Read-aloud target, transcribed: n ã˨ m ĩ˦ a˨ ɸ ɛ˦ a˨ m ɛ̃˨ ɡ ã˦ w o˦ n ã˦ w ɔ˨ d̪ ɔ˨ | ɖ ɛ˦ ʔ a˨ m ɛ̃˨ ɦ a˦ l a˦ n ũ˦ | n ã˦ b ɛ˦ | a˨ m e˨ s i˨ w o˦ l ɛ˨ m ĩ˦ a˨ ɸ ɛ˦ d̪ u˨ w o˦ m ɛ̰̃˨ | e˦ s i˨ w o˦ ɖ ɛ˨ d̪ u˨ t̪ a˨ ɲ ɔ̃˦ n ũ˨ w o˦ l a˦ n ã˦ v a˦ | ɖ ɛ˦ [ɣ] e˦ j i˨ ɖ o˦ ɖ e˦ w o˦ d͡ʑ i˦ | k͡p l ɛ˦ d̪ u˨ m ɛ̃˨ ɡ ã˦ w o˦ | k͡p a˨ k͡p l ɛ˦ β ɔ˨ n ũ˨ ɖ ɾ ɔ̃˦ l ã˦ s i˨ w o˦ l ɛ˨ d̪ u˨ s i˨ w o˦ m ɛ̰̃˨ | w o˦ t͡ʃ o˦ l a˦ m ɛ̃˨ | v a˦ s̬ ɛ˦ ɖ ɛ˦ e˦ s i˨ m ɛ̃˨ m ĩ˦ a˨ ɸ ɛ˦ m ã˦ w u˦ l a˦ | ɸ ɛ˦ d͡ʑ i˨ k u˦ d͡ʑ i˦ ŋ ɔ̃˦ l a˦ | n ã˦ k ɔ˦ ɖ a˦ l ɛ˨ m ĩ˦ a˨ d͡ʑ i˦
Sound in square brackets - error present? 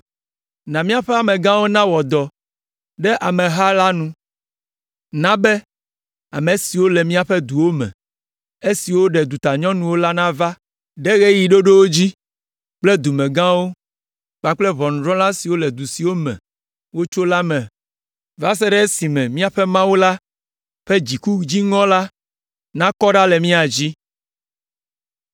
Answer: no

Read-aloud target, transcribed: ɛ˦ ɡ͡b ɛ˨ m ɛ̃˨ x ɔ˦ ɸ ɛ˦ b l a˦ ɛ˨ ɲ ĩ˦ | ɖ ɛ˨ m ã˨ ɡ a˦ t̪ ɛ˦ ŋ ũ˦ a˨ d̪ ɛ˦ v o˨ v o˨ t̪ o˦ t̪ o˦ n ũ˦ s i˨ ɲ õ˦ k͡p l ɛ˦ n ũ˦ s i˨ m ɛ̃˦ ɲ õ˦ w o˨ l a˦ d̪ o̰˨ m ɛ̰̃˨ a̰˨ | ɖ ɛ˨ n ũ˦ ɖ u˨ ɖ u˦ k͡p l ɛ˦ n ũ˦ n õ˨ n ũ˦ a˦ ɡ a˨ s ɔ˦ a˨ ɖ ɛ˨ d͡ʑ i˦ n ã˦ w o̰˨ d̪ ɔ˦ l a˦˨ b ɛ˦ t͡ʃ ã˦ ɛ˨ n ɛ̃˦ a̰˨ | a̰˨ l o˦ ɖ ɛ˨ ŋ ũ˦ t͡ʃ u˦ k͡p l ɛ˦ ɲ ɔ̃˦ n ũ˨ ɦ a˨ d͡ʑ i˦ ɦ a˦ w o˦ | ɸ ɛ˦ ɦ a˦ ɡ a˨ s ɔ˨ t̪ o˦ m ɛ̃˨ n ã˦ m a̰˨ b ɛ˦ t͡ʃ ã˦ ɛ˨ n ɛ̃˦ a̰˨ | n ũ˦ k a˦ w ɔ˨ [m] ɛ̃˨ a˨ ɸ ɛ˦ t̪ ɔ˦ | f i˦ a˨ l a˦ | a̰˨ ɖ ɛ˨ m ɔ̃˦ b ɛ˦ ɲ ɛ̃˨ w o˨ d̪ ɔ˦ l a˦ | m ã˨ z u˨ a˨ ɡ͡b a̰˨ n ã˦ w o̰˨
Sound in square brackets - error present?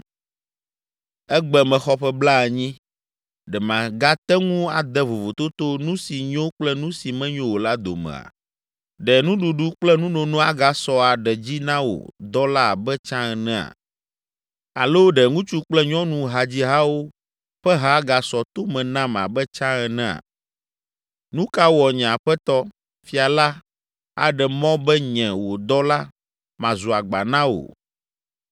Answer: yes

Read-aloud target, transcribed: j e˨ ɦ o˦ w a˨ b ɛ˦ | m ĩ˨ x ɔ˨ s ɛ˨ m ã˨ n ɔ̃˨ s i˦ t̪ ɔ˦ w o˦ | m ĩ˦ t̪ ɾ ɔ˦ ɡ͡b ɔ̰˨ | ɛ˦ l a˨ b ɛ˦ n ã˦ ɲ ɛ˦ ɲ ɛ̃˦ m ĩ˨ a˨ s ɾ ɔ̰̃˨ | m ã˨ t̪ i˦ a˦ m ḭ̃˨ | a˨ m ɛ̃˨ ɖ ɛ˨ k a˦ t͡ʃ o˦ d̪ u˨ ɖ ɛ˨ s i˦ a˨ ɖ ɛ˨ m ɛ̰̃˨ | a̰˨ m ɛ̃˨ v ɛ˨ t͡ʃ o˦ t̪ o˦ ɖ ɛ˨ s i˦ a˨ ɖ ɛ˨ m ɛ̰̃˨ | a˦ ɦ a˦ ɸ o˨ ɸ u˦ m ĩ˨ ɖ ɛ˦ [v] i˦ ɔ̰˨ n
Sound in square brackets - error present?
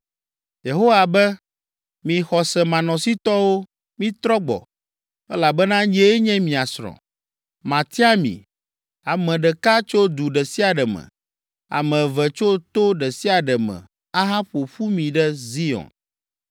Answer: yes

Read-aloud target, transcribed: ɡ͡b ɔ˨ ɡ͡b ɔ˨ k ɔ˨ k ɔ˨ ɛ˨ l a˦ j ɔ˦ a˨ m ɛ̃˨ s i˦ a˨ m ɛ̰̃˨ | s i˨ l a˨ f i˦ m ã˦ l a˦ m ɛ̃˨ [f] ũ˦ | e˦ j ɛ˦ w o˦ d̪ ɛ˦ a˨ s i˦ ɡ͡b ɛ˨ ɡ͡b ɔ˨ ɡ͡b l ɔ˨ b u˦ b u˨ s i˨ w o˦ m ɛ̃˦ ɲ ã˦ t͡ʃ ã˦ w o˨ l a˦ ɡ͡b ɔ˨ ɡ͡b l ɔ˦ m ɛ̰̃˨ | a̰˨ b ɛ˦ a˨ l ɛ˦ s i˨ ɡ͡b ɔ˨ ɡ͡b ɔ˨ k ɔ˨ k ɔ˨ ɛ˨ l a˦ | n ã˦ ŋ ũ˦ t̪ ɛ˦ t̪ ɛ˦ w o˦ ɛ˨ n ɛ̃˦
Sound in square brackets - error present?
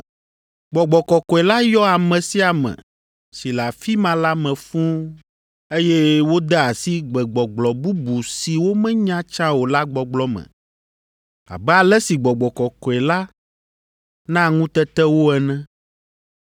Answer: no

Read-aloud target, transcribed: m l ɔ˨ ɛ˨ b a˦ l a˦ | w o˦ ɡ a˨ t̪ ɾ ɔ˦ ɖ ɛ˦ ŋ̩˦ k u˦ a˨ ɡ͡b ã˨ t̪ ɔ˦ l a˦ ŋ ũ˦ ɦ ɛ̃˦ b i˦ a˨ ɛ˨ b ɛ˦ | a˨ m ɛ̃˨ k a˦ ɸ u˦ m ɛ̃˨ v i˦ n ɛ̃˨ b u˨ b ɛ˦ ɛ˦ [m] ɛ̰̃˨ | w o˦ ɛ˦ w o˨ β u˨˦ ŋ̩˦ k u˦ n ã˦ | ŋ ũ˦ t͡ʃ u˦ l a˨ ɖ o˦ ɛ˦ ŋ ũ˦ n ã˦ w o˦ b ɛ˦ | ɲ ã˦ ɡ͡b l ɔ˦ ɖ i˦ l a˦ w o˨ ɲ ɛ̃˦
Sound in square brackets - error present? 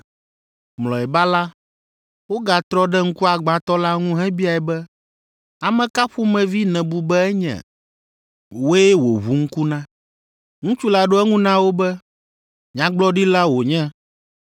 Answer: yes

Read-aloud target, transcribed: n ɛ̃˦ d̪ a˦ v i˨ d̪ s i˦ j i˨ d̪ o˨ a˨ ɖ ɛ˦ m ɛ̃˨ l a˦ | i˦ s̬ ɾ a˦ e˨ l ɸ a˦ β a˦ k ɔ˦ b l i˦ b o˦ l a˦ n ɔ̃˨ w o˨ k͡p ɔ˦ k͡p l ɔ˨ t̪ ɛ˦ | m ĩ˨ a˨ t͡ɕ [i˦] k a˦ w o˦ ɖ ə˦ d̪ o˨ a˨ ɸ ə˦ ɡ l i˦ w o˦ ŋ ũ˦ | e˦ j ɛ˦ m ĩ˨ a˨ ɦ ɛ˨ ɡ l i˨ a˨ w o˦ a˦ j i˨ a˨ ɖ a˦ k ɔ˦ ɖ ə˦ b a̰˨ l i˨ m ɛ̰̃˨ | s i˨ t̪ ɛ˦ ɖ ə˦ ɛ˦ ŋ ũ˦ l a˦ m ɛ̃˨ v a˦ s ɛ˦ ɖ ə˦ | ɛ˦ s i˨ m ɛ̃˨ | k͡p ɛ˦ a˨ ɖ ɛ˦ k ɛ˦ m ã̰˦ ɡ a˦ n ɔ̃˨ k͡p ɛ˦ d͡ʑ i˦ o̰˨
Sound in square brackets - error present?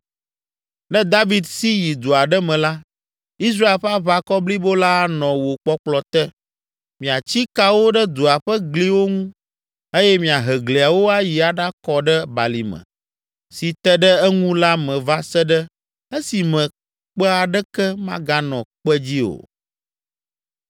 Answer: no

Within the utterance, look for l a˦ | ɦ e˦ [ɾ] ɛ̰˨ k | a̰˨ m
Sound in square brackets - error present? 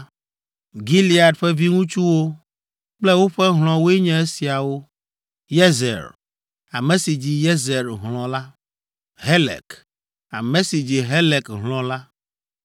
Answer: yes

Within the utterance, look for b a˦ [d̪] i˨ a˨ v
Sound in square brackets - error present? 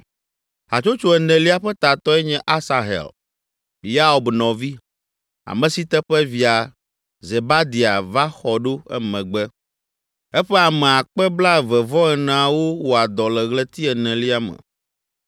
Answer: no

